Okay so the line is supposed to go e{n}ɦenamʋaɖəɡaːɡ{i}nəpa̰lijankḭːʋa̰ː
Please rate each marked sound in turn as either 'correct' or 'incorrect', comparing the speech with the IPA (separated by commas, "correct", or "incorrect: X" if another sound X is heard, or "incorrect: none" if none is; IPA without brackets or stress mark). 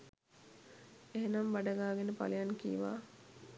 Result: incorrect: none, incorrect: e